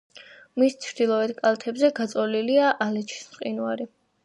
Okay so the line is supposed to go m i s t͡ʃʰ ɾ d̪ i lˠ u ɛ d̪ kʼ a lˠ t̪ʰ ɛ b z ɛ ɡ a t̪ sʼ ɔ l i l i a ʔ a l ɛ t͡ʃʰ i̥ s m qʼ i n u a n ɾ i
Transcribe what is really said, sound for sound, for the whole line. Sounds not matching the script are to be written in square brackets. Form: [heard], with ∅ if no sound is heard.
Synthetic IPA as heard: m i s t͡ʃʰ ɾ d̪ i lˠ [ɔ] ɛ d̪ kʼ a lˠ t̪ʰ ɛ b z ɛ ɡ a t̪ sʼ ɔ l i l i a ʔ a l ɛ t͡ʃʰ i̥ s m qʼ i n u a [∅] ɾ i